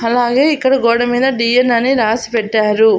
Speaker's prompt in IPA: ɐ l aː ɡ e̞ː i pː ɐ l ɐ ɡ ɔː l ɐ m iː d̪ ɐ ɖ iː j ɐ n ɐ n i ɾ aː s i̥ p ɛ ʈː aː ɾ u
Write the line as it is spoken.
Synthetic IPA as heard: ɐ l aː ɡ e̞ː i kː ɐ ɽ ɐ ɡ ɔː ɽ ɐ m iː d̪ ɐ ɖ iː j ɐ n ɐ n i ɾ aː s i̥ p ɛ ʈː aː ɾ u